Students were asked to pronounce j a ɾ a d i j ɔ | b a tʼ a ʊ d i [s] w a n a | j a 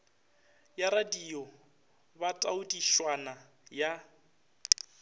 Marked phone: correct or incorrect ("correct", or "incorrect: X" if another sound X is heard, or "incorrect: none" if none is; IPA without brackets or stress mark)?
incorrect: ʃ